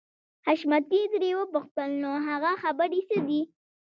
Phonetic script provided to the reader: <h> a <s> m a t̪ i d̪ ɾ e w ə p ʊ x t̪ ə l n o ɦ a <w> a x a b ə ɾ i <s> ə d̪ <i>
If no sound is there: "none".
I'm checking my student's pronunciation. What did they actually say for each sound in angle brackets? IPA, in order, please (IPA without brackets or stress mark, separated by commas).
h, ʃ, ɣ, s, i